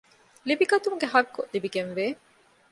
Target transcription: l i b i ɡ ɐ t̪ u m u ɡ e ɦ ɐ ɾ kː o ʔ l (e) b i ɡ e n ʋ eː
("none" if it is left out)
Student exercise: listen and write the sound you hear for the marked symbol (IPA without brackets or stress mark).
i